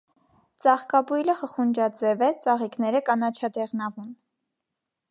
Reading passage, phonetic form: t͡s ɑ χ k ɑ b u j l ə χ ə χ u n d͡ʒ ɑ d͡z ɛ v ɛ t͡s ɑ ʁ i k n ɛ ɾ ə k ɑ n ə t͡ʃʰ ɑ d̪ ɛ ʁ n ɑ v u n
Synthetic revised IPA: t͡s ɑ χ k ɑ b u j l ə χ ə χ u n d͡ʒ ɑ d͡z ɛ v ɛ t͡s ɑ ʁ i k n ɛ ɾ ə k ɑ n ɑ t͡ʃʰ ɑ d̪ ɛ ʁ n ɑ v u n